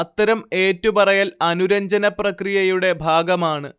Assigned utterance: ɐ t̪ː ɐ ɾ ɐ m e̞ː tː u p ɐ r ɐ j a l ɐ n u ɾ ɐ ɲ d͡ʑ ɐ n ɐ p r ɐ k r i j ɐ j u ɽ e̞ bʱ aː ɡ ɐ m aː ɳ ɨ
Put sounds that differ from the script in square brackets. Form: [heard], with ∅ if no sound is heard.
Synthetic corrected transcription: ɐ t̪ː ɐ ɾ ɐ m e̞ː tː u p ɐ r ɐ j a l ɐ n u ɾ ɐ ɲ d͡ʑ ɐ n ɐ p r ɐ k r i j ɐ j u ɽ e̞ bʱ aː ɡ ɐ m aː ɳ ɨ